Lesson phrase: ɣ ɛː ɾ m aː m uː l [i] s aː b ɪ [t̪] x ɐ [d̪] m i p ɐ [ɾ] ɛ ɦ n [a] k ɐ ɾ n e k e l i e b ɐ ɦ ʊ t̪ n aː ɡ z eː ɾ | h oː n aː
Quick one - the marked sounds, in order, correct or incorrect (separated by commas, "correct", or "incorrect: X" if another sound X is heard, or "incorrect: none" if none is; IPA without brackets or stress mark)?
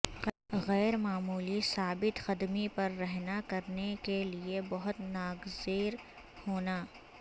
correct, correct, correct, incorrect: ɾː, correct